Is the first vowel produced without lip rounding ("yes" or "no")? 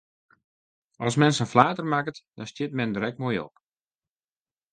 no